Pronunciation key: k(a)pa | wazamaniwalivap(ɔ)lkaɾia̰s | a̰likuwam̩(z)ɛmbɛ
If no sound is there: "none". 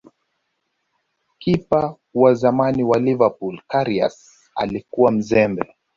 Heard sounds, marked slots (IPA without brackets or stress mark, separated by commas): i, u, z